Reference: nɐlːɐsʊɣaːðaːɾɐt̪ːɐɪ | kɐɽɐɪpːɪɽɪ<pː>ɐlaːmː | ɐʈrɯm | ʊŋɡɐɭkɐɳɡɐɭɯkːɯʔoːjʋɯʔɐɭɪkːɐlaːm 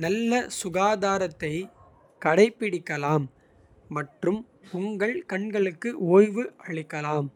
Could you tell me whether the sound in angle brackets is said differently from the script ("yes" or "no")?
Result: yes